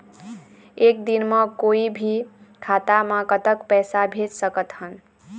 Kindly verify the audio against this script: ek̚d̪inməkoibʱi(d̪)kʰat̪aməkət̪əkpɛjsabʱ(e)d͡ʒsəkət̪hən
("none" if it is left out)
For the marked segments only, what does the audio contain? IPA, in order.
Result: none, e

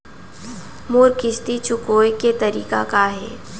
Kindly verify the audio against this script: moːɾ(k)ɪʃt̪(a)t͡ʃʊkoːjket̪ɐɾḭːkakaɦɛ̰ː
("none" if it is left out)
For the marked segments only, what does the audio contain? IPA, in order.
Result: k, i

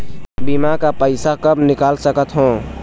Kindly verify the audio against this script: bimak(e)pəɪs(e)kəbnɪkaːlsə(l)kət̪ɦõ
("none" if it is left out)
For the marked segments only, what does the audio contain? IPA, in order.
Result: a, a, none

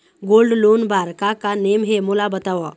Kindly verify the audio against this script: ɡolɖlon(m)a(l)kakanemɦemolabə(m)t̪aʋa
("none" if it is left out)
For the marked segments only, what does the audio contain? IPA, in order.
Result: b, ɾ, none

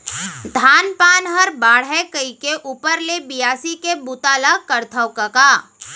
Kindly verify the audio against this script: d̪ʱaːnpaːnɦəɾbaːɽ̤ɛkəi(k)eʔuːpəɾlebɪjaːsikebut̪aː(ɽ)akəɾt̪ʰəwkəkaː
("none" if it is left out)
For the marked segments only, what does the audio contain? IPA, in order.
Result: k, l

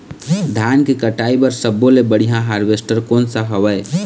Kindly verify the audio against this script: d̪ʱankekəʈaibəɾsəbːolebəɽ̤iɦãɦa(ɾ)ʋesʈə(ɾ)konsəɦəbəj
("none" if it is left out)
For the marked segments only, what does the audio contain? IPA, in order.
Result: ɾ, ɾ

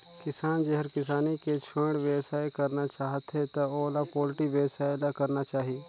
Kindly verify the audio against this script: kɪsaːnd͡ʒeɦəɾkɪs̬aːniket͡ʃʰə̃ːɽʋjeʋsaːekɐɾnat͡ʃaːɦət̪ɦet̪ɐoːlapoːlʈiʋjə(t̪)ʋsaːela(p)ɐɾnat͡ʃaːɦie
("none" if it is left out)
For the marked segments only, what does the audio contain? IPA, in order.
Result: none, k

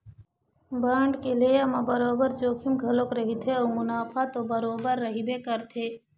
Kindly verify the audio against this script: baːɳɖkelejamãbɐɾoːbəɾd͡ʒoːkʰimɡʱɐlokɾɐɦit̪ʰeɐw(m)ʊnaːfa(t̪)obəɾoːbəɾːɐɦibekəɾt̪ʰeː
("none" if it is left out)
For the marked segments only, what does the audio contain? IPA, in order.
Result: m, t̪

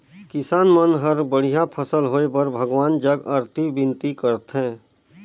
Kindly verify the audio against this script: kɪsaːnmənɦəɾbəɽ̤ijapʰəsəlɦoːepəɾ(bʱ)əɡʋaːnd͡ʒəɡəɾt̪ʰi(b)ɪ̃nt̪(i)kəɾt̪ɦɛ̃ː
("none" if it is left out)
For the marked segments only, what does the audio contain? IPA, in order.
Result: bʱ, b, i

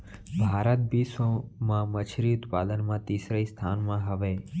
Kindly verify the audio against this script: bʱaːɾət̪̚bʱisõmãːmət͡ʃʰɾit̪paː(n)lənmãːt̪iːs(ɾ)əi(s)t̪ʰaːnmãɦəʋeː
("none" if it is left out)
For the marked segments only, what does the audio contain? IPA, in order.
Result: none, ɾ, s

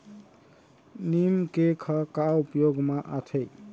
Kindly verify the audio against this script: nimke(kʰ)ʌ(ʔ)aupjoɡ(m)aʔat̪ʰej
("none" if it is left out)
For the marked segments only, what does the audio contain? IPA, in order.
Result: kʰ, k, m

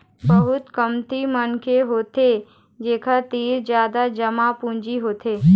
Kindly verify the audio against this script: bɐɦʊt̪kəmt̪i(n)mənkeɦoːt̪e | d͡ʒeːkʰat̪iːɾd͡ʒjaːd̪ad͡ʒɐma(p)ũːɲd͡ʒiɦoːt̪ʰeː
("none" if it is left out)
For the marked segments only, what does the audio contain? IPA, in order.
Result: none, p

